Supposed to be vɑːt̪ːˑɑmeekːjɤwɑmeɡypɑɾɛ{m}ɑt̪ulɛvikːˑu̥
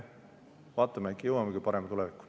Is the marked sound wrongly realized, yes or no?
no